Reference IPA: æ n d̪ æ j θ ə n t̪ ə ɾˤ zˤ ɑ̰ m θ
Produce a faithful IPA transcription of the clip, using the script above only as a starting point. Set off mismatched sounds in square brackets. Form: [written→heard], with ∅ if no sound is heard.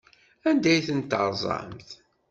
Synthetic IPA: æ n d̪ æ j θ ə n t̪ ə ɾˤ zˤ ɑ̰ m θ

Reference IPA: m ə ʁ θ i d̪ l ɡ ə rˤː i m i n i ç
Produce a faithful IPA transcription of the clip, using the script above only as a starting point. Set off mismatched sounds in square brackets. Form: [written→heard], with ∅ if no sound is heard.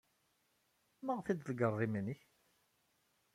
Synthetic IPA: m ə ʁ θ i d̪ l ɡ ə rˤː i m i n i ç

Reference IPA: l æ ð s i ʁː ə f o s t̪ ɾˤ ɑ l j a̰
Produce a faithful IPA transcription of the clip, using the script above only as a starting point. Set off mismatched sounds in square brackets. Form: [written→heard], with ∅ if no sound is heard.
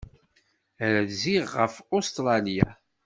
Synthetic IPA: [l→ɾ] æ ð [s→z] i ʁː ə f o s t̪ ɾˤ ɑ l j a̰

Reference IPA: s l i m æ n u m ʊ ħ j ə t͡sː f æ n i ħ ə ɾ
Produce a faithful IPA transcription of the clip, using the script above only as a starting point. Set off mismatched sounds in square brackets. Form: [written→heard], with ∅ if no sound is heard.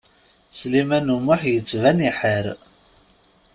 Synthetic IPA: s l i m æ n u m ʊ ħ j ə t͡sː [f→v] æ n i ħ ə ɾ

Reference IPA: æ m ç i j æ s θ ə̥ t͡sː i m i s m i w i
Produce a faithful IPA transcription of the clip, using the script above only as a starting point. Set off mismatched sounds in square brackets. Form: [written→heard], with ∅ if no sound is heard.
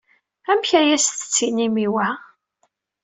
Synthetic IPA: æ m ç [i→æ] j æ s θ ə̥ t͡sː i [m→n] i [s→∅] m i w [i→æ]

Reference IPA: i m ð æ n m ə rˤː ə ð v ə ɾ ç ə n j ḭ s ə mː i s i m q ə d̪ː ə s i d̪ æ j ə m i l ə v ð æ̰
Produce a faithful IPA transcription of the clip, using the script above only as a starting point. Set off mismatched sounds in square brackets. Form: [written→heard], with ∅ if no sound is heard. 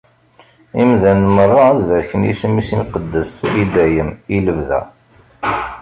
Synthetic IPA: i m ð æ n m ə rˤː [ə→ɑ] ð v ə ɾ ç ə n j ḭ s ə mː i s i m q ə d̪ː ə s i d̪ æ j ə m i l ə v ð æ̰

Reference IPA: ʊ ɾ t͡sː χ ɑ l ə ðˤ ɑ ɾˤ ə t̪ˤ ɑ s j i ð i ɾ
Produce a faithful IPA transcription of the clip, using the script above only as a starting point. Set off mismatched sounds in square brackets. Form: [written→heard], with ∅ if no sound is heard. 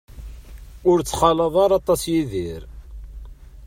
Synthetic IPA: ʊ ɾ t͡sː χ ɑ l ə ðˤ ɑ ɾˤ [ə→ɑ] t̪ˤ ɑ s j i ð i ɾ

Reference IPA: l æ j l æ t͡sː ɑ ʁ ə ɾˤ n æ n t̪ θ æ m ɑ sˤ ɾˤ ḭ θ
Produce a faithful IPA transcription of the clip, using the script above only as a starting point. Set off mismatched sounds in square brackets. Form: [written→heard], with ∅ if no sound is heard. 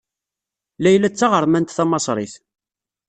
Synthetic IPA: l æ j l æ t͡sː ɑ ʁ ə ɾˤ [n→m] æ n t̪ θ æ m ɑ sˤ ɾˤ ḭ θ

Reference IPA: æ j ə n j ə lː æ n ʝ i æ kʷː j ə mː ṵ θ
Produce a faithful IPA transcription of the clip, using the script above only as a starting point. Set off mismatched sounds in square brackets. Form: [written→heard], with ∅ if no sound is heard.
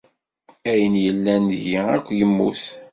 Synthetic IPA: æ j ə n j ə lː æ n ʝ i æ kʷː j ə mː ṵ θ

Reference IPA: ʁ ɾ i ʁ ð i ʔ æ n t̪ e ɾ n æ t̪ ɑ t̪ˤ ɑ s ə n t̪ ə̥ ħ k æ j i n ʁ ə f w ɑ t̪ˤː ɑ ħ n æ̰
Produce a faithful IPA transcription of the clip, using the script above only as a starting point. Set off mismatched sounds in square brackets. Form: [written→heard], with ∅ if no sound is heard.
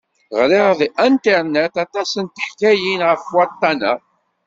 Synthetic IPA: ʁ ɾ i ʁ ð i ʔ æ n t̪ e ɾ n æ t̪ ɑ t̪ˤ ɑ s ə n t̪ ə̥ ħ k æ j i n ʁ ə f w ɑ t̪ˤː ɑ [ħ→∅] n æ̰

